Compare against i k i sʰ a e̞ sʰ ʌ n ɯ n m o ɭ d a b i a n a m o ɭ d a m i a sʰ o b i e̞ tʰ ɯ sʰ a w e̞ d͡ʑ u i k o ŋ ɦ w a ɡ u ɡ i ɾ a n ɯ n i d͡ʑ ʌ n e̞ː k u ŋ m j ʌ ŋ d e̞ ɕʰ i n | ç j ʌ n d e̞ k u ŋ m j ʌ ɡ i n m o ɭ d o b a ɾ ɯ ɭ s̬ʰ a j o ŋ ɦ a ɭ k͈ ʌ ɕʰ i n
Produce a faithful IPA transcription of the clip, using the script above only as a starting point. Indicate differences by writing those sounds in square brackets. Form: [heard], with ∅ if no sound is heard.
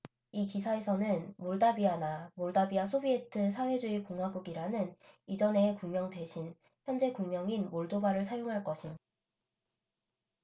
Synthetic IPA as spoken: i k i sʰ a e̞ sʰ ʌ n ɯ n m o ɭ d a b i a n a m o ɭ d a [b] i a sʰ o b i e̞ tʰ ɯ sʰ a w e̞ d͡ʑ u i k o ŋ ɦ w a ɡ u ɡ i ɾ a n ɯ n i d͡ʑ ʌ n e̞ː k u ŋ m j ʌ ŋ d e̞ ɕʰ i n | ç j ʌ n [d͡ʑ] e̞ k u ŋ m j ʌ [ŋ] i n m o ɭ d o b a ɾ ɯ ɭ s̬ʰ a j o ŋ ɦ a ɭ k͈ ʌ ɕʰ i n

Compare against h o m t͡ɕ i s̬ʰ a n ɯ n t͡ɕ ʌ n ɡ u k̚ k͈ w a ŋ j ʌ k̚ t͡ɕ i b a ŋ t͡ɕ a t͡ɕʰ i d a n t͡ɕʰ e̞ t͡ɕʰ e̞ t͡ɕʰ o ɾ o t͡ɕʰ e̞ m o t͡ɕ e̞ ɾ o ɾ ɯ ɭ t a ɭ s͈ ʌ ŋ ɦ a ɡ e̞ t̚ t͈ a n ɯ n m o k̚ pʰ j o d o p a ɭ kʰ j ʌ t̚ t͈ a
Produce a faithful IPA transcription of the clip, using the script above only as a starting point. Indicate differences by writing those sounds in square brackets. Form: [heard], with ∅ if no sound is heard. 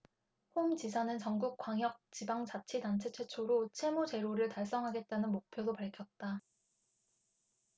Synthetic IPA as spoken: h o m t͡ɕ i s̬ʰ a n ɯ n t͡ɕ ʌ [ŋ] ɡ u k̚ k͈ w a ŋ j ʌ k̚ t͡ɕ i b a ŋ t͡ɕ a t͡ɕʰ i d a n t͡ɕʰ e̞ t͡ɕʰ e̞ t͡ɕʰ o ɾ o t͡ɕʰ e̞ m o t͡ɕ e̞ ɾ o ɾ ɯ ɭ t a ɭ s͈ ʌ ŋ ɦ a ɡ e̞ t̚ t͈ a n ɯ n m o k̚ pʰ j o d o p a ɭ kʰ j ʌ t̚ t͈ a

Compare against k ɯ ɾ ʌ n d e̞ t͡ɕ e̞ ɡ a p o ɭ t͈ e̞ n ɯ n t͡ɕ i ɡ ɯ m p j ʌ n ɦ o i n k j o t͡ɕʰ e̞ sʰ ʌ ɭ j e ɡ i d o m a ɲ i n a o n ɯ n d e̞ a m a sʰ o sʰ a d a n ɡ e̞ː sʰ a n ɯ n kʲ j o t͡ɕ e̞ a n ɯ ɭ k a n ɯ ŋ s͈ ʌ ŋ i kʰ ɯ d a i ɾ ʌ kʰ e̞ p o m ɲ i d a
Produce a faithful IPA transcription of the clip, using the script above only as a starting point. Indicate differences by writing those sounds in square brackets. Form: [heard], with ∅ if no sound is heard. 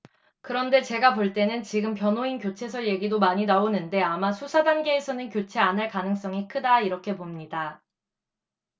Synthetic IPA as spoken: k ɯ ɾ ʌ n d e̞ t͡ɕ e̞ ɡ a p o ɭ t͈ e̞ n ɯ n t͡ɕ i ɡ ɯ m p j ʌ n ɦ o i n k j o t͡ɕʰ e̞ sʰ ʌ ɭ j e ɡ i d o m a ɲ i n a o n ɯ n d e̞ a m a sʰ [u] sʰ a d a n ɡ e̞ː sʰ [ʌ] n ɯ n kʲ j o [t͡ɕʰ] e̞ a n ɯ ɭ k a n ɯ ŋ s͈ ʌ ŋ i kʰ ɯ d a i ɾ ʌ kʰ e̞ p o m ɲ i d a

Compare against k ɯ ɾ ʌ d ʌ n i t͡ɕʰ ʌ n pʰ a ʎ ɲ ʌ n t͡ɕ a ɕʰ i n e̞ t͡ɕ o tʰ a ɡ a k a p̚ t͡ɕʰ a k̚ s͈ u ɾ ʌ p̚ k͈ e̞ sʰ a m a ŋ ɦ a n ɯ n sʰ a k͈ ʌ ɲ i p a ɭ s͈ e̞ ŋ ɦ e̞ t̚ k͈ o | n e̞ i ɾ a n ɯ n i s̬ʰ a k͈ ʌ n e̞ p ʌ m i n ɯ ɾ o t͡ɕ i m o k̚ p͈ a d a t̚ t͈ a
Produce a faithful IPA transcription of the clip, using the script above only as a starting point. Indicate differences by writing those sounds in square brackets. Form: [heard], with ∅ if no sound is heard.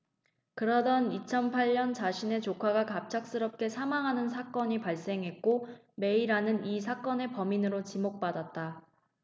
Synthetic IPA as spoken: k ɯ ɾ ʌ d ʌ n i t͡ɕʰ ʌ n pʰ a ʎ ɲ ʌ n t͡ɕ a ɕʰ i n e̞ t͡ɕ o [kʰ] a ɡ a k a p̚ t͡ɕʰ a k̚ s͈ [ɯ] ɾ ʌ p̚ k͈ e̞ sʰ a m a ŋ ɦ a n ɯ n sʰ a k͈ ʌ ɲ i p a ɭ s͈ e̞ ŋ ɦ e̞ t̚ k͈ o | [m] e̞ i ɾ a n ɯ n i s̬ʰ a k͈ ʌ n e̞ p ʌ m i n ɯ ɾ o t͡ɕ i m o k̚ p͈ a d a t̚ t͈ a

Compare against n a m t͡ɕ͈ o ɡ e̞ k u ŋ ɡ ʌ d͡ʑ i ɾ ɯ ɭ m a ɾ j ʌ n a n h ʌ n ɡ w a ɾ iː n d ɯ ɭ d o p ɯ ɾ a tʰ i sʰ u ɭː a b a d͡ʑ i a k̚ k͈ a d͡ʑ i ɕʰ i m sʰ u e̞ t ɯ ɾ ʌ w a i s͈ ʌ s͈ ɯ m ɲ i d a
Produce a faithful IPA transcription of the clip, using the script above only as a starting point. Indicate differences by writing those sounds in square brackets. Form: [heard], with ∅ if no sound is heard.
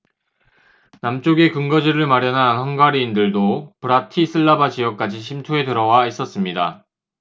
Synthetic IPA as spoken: n a m t͡ɕ͈ o ɡ e̞ k [ɯ] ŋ ɡ ʌ d͡ʑ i ɾ ɯ ɭ m a ɾ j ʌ n a n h ʌ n ɡ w a ɾ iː n d ɯ ɭ d o p ɯ ɾ a tʰ i sʰ [ɯ] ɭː a b a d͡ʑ i [ʌ] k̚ k͈ a d͡ʑ i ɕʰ i m [tʰ] u e̞ t ɯ ɾ ʌ w a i s͈ ʌ s͈ ɯ m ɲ i d a

